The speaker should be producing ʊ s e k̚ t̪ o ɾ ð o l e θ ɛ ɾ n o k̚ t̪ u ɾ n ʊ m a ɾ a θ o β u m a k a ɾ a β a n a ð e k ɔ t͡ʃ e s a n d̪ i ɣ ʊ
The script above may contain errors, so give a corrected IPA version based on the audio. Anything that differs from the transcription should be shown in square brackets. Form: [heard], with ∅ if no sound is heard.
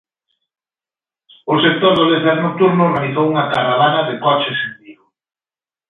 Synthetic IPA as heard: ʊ s e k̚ t̪ o ɾ ð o l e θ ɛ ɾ n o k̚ t̪ u ɾ n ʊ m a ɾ [i] θ o [w] u [ŋ] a k a ɾ a β a n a ð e k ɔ t͡ʃ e s [e] n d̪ i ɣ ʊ

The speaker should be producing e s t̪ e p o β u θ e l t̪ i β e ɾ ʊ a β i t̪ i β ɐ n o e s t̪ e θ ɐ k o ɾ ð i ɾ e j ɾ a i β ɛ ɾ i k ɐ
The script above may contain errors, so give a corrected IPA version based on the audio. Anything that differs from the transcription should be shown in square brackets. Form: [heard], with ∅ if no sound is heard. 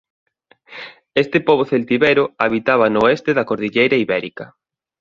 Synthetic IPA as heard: e s t̪ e p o β [o] θ e l t̪ i β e ɾ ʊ a β i t̪ [a] β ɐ n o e s t̪ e [ð] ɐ k o ɾ ð i [ʎ] e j ɾ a i β ɛ ɾ i k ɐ

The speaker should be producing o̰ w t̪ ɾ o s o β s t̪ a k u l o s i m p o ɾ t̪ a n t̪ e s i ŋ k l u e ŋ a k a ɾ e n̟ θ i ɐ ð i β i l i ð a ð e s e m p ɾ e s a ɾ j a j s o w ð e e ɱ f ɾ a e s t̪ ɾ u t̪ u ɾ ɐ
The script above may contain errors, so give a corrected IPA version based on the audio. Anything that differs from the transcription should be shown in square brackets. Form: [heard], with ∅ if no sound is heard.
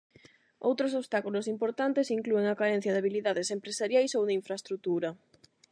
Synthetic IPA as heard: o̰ w t̪ ɾ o s o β s t̪ a k u l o s i m p o ɾ t̪ a n t̪ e s i ŋ k l u e ŋ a k a ɾ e n̟ θ [j] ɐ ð [a] β i l i ð a ð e s e m p ɾ e s a ɾ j a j s o w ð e [i] ɱ f ɾ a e s t̪ ɾ u t̪ u ɾ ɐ

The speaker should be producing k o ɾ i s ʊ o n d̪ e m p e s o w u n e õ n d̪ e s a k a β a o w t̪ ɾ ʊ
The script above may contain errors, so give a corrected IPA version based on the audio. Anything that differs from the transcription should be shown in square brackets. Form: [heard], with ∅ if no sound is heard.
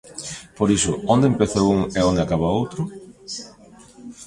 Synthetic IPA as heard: [p] o ɾ i s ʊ o n d̪ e m p e [θ] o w u [ŋ] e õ n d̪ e [∅] a k a β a o w t̪ ɾ ʊ

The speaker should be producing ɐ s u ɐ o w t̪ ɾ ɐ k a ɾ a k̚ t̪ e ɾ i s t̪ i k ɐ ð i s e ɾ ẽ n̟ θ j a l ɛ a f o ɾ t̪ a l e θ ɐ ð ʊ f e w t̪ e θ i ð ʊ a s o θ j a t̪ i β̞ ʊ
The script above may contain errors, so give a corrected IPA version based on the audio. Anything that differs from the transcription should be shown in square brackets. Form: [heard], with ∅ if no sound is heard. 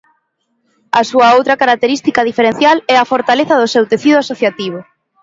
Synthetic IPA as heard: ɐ s u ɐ o w t̪ ɾ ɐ k a ɾ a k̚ t̪ e ɾ i s t̪ i k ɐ ð i [f] e ɾ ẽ n̟ θ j a l ɛ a f o ɾ t̪ a l e θ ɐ ð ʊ [s] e w t̪ e θ i ð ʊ a s o θ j a t̪ i β̞ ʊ

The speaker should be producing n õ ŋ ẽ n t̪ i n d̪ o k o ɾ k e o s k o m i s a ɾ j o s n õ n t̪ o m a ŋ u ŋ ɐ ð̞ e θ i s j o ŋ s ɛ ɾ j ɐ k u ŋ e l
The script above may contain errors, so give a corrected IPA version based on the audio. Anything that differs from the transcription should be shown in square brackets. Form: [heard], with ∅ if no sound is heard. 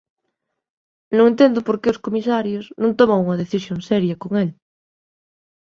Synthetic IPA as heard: n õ ŋ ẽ n t̪ [e] n d̪ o [p] o ɾ k e o s k o m i s a ɾ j o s n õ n t̪ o m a ŋ u ŋ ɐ ð̞ e θ i s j o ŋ s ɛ ɾ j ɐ k [o] ŋ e l

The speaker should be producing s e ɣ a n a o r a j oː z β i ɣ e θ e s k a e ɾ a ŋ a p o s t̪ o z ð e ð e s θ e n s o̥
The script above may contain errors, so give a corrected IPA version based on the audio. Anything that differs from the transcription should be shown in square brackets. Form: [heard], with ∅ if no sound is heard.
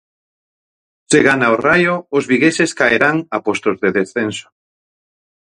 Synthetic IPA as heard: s e ɣ a n a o r a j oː z β i ɣ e [s] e s k a e ɾ a ŋ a p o s t̪ o z ð e ð e s θ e n s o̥

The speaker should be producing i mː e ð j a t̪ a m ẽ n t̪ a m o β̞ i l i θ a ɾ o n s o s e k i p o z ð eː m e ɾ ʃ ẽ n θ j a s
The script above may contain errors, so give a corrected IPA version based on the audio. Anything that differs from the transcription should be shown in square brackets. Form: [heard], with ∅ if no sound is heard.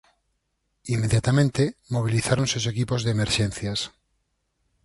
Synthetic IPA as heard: i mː e ð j a t̪ a m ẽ n t̪ [e] m o β̞ i l i θ a ɾ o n s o s e k i p o z ð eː m e ɾ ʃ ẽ n θ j a s

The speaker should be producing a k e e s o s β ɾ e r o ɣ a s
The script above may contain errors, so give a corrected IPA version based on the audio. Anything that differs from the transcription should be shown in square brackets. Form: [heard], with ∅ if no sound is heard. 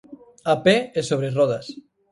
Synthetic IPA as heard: a [p] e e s o [∅] β ɾ e r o [ð] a s

